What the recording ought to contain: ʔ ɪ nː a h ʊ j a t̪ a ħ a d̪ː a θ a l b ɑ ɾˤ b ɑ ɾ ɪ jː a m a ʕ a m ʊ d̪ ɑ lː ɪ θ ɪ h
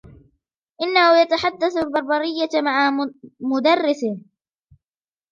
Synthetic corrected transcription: ʔ ɪ nː a h ʊ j a t̪ a ħ a d̪ː a θ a l b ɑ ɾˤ b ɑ ɾ ɪ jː a m a ʕ a m ʊ d̪ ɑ rː ɪ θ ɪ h